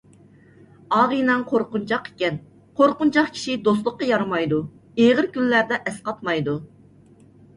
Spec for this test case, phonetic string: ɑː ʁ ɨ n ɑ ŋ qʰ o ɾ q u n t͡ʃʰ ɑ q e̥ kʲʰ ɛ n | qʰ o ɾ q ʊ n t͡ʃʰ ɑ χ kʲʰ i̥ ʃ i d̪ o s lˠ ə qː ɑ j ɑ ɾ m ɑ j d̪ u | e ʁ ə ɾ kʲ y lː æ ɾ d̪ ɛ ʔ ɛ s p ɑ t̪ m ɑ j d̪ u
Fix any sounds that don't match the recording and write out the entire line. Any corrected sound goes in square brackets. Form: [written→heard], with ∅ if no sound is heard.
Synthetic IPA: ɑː ʁ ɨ n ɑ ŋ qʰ o ɾ q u n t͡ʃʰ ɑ q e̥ [kʲʰ→kʲ] ɛ n | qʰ o ɾ q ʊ n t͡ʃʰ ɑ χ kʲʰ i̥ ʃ i d̪ o s lˠ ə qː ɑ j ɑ ɾ m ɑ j d̪ u | e ʁ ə ɾ kʲ y lː æ ɾ d̪ ɛ ʔ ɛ s [p→q] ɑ t̪ m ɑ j d̪ u